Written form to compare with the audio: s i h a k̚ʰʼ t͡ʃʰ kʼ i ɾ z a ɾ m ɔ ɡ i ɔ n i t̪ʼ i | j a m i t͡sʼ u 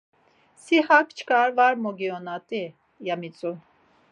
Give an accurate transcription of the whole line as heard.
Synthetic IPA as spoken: s i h a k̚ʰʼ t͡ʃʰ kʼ a ɾ v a ɾ m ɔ ɡ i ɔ n a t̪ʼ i | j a m i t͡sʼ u